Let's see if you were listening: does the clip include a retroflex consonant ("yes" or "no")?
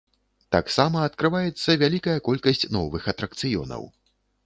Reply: no